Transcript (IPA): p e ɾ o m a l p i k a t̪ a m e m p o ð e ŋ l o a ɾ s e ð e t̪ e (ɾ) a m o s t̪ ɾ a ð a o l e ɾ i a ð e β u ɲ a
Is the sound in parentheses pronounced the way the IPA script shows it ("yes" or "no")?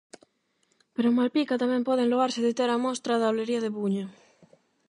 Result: yes